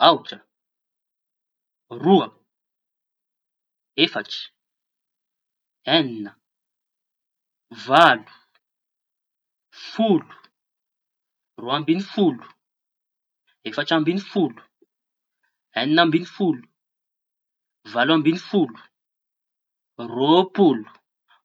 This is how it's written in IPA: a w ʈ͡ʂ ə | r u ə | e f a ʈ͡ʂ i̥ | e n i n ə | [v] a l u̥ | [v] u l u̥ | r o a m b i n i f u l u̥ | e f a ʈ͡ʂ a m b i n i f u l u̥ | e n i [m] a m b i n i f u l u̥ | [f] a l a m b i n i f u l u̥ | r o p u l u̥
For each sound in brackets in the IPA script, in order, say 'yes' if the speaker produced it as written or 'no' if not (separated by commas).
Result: yes, no, no, no